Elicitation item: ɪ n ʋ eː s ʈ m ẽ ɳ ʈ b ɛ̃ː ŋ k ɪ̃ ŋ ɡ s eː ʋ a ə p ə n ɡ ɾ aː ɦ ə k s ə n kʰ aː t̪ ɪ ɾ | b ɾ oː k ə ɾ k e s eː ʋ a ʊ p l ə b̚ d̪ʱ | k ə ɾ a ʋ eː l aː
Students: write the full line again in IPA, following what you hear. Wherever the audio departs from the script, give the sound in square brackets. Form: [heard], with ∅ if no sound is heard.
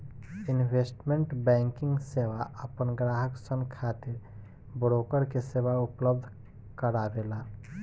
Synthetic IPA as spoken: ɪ n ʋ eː s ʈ m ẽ ɳ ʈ b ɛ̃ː ŋ k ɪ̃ ŋ ɡ s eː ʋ a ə p ə n ɡ ɾ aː ɦ ə k s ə n kʰ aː t̪ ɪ ɾ | b ɾ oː k ə ɾ k e s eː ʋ a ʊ p l ə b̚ d̪ʱ | k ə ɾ a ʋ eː l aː